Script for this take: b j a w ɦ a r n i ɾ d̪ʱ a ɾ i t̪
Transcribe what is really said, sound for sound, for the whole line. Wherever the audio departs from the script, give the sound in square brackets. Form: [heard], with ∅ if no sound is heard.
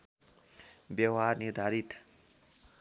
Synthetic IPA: b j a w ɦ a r n i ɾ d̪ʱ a ɾ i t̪